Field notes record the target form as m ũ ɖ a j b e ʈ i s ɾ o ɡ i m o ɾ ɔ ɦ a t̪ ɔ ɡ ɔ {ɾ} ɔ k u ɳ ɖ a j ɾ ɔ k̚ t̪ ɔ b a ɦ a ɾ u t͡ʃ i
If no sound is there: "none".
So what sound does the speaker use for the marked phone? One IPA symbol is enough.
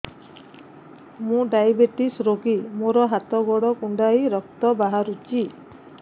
ɽ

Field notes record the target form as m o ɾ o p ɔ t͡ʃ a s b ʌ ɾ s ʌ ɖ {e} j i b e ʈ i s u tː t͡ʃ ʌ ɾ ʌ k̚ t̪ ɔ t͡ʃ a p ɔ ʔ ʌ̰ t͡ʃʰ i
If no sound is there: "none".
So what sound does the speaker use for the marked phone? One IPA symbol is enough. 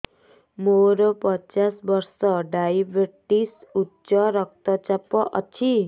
a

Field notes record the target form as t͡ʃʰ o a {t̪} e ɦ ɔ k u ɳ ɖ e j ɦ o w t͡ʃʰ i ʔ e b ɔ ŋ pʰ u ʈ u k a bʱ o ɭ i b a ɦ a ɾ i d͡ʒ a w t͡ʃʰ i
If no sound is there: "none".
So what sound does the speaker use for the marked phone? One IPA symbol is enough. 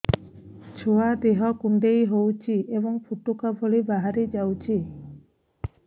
d̪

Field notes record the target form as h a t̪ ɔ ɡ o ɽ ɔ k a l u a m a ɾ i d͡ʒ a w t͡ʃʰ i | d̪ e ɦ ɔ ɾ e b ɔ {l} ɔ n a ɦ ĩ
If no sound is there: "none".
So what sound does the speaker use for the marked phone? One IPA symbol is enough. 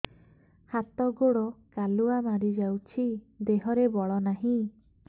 ɭ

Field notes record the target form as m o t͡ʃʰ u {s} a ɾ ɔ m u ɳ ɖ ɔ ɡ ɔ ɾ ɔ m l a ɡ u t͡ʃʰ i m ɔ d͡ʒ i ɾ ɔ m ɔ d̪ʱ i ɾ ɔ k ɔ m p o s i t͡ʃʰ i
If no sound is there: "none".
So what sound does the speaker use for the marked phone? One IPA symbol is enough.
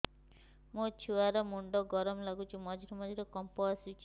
none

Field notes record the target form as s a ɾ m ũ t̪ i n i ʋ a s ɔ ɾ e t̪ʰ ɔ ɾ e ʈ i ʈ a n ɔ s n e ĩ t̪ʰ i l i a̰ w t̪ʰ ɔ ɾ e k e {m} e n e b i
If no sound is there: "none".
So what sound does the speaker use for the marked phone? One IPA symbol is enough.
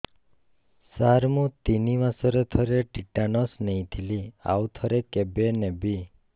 b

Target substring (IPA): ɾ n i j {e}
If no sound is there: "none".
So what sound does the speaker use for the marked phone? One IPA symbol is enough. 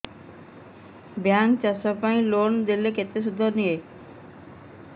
e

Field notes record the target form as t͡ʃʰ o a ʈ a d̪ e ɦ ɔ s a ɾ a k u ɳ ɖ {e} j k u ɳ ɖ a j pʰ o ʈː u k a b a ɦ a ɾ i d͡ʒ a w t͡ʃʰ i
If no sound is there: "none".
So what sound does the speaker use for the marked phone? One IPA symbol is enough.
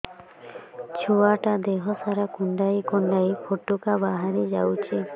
a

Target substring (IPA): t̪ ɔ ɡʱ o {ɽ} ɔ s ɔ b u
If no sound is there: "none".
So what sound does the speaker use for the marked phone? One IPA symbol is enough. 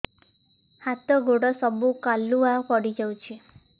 ɽ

